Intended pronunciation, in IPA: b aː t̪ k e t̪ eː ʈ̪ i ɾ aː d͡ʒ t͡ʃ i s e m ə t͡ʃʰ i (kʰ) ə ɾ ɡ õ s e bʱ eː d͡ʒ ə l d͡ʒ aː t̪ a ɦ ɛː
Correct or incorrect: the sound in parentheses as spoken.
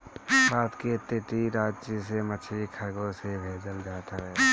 correct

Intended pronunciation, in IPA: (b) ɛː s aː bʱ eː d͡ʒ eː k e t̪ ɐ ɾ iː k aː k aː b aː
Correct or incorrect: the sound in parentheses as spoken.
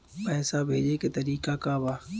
incorrect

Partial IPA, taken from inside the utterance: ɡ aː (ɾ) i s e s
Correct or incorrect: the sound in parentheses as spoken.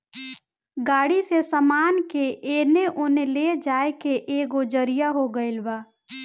incorrect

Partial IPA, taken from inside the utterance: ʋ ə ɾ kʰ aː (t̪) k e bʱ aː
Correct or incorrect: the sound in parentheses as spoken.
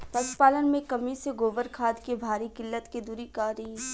incorrect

